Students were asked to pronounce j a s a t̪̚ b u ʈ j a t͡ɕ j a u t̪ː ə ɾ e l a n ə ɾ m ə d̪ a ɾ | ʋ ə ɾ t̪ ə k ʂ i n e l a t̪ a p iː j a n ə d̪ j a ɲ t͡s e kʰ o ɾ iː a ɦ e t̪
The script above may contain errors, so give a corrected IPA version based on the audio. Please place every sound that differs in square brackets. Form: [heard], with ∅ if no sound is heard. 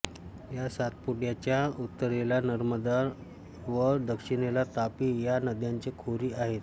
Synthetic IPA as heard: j a s a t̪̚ [p] u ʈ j a t͡ɕ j a u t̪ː ə ɾ e l a n ə ɾ m ə d̪ a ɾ | ʋ ə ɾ [d̪] ə k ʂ i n e l a t̪ a p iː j a n ə d̪ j a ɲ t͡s e kʰ o ɾ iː a ɦ e t̪